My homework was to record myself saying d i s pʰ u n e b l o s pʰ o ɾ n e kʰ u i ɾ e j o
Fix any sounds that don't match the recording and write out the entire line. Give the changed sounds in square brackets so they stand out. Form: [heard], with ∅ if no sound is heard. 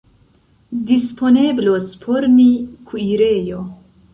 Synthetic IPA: d i s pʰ [o] n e b l o s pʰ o ɾ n [i] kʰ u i ɾ e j o